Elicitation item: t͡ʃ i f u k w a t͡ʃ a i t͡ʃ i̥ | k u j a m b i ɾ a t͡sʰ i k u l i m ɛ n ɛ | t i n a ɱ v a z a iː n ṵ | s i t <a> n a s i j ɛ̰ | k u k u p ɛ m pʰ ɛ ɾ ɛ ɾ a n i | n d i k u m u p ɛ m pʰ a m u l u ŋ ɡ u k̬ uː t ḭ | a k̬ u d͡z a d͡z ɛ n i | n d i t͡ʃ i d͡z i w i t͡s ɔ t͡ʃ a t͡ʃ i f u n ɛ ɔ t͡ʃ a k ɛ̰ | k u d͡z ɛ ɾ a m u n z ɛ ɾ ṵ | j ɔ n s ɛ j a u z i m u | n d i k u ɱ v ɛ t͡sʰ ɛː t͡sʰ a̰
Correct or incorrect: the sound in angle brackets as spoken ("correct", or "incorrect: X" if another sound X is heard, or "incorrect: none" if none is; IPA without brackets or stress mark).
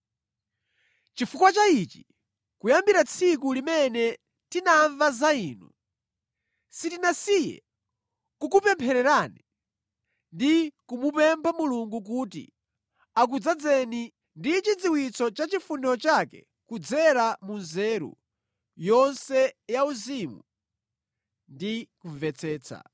incorrect: i